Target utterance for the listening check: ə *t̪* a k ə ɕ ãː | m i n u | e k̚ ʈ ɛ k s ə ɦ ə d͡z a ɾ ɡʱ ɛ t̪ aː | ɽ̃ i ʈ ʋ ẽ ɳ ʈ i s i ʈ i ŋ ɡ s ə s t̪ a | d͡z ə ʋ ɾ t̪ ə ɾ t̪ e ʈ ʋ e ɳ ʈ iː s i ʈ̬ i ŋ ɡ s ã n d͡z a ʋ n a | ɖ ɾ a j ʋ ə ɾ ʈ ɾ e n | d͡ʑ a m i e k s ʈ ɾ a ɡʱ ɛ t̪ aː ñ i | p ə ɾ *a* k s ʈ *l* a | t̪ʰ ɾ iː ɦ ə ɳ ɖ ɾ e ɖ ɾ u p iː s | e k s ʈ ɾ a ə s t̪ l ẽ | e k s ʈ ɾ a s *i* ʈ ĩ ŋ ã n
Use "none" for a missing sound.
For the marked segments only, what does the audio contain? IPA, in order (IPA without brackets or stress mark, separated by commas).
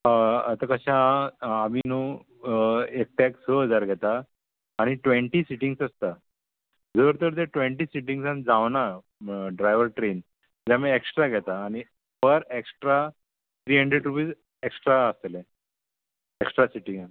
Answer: t̪, e, ɾ, i